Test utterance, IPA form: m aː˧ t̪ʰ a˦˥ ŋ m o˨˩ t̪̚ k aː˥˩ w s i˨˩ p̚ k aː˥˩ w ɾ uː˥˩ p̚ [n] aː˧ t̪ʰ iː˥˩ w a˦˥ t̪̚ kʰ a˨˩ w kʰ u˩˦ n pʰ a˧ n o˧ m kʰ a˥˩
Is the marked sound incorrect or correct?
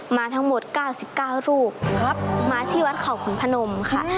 incorrect